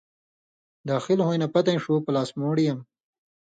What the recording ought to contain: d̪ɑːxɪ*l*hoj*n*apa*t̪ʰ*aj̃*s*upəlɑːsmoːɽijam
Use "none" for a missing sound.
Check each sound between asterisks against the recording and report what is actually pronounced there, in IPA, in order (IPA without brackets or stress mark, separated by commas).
l, n, t̪, ʂ